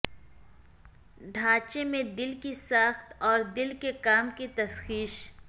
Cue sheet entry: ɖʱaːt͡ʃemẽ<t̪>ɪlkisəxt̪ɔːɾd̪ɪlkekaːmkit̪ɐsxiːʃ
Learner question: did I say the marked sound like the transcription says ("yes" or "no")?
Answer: no